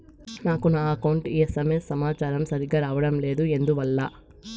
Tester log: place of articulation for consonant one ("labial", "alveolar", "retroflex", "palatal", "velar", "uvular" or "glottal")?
alveolar